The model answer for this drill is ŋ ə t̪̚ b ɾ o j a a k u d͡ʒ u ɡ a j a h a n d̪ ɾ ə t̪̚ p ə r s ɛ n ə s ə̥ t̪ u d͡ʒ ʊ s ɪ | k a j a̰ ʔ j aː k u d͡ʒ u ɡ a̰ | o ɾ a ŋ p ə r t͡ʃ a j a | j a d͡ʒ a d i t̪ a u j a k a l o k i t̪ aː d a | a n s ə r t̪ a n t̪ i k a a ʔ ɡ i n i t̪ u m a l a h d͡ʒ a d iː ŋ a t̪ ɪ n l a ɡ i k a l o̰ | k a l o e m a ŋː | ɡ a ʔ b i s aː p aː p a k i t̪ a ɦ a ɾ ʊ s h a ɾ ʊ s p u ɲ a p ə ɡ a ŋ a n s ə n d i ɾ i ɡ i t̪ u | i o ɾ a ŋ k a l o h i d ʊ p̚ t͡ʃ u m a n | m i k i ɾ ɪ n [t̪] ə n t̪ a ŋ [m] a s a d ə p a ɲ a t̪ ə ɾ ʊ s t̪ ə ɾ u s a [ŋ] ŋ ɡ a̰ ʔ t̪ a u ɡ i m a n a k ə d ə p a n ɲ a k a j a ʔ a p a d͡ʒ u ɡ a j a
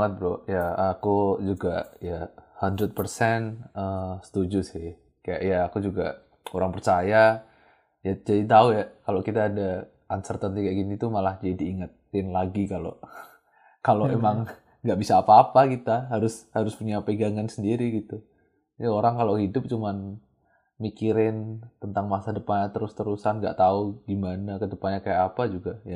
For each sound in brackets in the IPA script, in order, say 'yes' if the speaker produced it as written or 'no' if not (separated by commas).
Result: yes, yes, no